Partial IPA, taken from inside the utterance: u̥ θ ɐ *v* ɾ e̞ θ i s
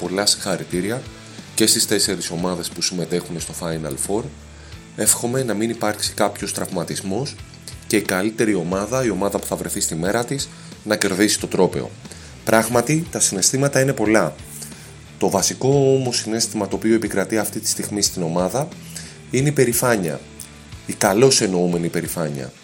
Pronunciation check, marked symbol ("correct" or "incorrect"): correct